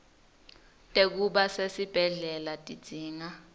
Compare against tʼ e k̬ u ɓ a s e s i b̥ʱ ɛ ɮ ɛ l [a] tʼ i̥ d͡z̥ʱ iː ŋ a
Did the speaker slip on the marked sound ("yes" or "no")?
no